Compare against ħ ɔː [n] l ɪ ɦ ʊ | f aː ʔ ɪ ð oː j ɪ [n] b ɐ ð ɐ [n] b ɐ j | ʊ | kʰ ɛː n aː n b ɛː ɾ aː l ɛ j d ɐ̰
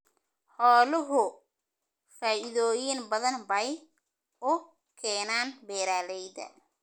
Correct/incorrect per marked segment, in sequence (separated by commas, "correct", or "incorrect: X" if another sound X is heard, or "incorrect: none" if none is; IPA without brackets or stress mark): incorrect: none, correct, correct